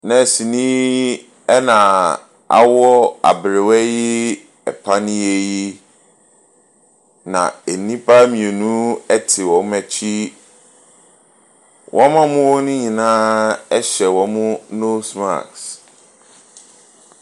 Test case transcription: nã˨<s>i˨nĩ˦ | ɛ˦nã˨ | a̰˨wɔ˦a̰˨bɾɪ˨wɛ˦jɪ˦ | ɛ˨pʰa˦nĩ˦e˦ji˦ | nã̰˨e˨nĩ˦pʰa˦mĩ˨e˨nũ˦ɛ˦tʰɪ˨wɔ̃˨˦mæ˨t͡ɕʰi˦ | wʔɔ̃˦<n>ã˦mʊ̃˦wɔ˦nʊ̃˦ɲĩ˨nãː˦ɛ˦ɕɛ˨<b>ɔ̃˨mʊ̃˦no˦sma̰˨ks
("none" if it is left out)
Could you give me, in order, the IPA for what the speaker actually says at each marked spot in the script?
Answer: s, m, w

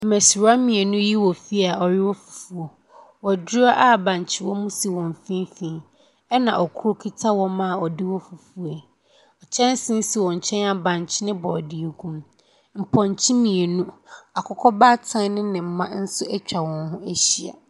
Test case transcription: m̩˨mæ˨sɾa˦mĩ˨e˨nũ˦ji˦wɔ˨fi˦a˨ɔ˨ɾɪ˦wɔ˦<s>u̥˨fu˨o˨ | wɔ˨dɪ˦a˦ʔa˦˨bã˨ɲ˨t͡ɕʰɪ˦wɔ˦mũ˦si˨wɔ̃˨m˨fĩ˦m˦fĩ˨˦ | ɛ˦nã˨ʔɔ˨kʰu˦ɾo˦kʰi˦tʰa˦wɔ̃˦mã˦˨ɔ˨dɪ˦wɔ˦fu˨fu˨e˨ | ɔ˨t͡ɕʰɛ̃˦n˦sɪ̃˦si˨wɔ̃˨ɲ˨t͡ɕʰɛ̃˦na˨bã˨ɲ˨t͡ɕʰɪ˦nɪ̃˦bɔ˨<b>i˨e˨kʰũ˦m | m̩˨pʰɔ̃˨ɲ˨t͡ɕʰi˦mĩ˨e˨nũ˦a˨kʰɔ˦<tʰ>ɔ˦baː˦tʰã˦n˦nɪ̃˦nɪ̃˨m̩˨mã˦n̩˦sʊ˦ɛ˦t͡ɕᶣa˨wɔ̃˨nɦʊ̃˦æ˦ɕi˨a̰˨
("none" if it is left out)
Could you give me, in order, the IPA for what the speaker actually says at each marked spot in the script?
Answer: f, d, kʰ

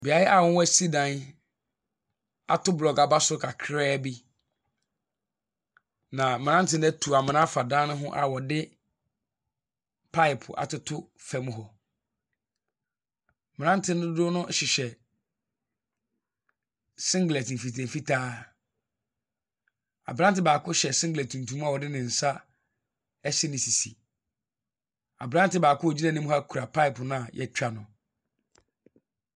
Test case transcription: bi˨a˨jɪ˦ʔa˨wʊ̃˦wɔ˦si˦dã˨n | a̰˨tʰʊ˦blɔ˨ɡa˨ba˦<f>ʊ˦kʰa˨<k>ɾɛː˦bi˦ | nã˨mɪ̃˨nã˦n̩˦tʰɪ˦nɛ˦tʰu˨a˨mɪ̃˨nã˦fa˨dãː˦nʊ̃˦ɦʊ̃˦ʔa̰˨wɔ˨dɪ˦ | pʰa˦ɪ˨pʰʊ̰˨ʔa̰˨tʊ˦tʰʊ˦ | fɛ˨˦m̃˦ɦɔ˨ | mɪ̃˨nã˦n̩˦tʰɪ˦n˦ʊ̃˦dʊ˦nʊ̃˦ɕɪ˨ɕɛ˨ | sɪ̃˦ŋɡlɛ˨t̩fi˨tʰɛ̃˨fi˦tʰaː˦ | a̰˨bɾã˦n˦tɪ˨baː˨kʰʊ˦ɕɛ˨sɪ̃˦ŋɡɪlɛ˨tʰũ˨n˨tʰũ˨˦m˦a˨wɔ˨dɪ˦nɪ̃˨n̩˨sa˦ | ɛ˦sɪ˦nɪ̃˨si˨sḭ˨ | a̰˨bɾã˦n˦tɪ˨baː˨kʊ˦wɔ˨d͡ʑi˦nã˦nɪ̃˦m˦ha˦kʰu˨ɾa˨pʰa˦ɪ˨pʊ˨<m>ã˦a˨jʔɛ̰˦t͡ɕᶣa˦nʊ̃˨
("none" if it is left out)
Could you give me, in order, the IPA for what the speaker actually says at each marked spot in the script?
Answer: s, kʰ, n

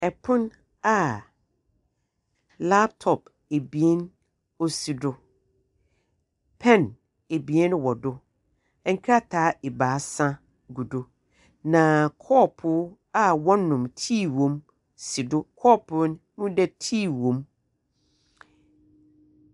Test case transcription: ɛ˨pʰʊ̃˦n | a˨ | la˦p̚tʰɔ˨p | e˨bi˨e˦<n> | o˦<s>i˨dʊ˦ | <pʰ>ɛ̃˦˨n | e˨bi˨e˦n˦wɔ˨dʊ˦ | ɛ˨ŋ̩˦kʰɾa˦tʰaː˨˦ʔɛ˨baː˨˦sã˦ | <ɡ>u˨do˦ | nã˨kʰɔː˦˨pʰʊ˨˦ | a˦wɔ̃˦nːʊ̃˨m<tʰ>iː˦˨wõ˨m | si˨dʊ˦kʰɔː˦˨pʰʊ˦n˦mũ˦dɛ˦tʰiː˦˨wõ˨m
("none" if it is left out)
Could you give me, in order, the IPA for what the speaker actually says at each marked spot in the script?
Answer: n, s, pʰ, ɡ, tʰ

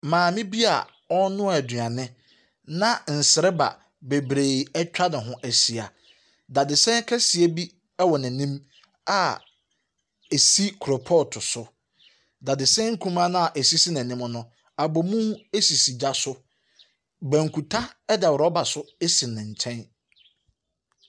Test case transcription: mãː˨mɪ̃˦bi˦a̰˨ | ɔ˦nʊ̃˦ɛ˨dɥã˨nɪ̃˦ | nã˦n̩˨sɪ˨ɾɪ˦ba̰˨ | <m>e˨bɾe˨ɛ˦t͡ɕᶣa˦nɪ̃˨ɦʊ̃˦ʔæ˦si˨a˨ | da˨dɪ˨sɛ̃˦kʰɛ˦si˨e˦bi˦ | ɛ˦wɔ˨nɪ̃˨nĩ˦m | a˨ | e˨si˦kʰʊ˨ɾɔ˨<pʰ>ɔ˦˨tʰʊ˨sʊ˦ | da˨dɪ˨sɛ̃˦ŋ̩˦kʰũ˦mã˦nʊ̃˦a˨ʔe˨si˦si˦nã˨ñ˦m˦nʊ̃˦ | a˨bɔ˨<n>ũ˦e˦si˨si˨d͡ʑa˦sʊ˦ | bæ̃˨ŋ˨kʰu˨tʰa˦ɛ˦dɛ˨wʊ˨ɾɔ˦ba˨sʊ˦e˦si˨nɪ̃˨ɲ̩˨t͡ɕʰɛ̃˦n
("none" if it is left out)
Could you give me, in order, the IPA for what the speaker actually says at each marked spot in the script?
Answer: b, pʰ, m

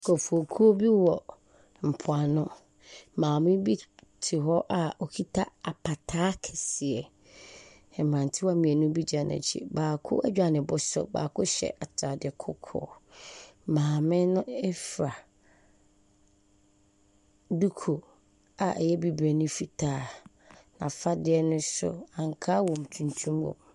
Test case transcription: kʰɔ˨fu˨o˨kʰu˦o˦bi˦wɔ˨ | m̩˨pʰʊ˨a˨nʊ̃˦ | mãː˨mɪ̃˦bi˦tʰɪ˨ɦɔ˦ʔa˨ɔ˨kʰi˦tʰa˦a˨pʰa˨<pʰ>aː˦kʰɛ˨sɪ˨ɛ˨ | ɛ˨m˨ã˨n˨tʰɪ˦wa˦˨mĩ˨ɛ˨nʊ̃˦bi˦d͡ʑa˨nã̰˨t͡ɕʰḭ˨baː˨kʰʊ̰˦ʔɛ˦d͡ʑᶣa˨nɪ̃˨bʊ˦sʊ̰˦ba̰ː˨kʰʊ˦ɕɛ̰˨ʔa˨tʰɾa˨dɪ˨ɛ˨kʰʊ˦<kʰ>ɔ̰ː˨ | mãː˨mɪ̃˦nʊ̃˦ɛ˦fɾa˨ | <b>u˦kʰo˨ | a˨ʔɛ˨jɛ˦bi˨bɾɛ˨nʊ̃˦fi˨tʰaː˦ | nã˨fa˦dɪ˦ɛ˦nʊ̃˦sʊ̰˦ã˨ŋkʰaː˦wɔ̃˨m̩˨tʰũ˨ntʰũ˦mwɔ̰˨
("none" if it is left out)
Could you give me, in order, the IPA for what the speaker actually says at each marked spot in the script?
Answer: tʰ, kʰ, d

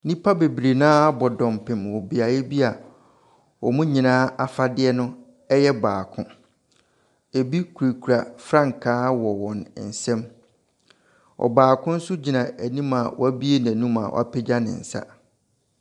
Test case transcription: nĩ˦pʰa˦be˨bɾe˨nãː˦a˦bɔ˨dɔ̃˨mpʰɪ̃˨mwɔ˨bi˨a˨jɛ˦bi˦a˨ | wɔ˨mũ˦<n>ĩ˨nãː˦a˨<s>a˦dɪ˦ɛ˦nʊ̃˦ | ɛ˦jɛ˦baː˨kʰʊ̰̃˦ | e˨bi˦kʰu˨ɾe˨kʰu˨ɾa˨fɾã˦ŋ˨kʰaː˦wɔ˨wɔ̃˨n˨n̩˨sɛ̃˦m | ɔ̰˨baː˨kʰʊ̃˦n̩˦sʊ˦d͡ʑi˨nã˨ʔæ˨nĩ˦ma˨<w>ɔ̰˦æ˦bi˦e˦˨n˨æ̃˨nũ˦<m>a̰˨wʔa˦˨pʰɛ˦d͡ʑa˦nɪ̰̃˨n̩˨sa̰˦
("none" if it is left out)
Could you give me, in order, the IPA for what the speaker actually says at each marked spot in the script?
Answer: ɲ, f, w, m

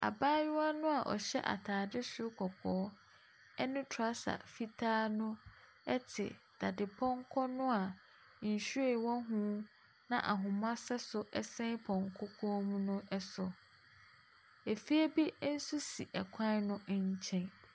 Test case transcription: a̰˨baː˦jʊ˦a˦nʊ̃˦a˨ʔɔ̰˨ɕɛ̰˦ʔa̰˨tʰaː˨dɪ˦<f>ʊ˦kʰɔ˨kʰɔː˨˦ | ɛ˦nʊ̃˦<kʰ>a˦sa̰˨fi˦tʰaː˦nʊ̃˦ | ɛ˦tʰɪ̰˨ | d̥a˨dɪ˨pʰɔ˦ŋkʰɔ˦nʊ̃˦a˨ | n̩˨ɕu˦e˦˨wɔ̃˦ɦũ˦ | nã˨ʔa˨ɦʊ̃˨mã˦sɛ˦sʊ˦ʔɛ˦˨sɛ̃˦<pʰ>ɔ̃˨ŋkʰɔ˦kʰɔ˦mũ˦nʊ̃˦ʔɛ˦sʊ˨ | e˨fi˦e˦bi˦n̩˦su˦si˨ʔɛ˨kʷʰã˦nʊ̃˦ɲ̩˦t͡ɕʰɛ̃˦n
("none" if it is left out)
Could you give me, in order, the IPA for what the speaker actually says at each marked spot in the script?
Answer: s, tʰ, pʰ

